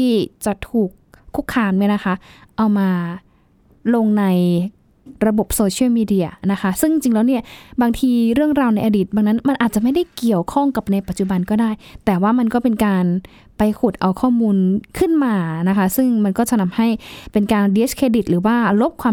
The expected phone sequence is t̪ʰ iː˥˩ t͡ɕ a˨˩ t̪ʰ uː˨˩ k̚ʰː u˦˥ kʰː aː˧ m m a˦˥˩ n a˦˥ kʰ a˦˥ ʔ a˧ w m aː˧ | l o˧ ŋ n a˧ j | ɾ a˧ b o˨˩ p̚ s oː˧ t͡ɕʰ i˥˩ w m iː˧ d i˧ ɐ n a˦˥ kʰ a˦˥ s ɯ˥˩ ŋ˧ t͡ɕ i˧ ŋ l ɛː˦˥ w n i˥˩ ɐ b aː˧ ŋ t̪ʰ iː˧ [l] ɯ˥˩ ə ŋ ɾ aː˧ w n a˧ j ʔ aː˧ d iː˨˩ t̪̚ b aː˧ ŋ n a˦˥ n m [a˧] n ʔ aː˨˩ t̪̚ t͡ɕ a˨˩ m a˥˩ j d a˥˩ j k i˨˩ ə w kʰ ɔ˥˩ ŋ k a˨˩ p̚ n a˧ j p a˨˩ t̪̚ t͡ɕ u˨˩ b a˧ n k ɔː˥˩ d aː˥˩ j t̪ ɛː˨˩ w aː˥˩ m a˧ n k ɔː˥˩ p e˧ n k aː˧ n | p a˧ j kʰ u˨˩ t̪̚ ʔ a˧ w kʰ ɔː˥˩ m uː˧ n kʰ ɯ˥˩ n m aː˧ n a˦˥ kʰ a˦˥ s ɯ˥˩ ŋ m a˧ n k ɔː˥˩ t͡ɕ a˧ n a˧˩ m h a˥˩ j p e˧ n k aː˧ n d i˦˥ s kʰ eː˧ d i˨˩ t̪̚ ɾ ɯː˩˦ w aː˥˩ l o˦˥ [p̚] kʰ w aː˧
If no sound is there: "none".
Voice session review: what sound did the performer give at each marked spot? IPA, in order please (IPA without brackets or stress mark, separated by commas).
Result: ɾ, a˧, p̚